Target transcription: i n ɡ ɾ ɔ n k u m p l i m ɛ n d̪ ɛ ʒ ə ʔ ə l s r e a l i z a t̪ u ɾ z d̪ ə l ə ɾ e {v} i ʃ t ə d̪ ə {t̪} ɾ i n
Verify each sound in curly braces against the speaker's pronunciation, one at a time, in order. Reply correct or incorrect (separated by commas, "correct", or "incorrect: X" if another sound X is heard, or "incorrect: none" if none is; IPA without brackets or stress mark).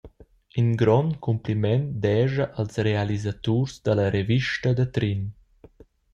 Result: correct, correct